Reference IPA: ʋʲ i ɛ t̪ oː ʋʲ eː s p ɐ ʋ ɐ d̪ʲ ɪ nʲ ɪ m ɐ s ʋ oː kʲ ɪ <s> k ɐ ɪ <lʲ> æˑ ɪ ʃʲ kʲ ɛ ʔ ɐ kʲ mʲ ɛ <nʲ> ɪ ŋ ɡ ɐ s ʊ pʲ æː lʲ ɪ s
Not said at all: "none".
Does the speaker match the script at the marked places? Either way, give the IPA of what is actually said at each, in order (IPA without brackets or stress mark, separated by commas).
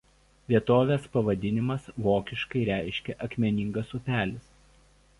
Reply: ʃ, ɾʲ, nʲ